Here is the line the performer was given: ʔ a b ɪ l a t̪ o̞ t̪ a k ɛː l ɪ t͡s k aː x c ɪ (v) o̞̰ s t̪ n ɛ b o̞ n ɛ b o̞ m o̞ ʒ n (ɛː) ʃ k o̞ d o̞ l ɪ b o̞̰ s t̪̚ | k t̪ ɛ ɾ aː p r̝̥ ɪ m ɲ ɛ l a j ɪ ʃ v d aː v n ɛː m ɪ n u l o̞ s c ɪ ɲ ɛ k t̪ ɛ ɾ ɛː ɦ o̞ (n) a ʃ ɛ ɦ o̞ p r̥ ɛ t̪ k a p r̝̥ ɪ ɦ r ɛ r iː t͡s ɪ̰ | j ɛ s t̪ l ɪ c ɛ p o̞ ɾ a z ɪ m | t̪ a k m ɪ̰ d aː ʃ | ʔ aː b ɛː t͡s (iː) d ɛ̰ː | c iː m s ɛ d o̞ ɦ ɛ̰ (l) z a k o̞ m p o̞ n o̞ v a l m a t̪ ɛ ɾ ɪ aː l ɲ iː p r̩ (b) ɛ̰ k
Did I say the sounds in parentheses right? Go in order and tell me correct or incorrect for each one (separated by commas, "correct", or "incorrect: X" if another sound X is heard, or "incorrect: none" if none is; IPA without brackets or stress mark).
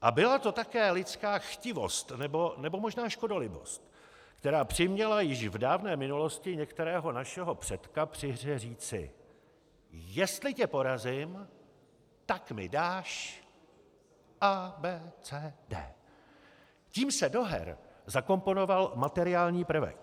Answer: correct, incorrect: aː, correct, incorrect: ɛː, incorrect: ɾ, incorrect: v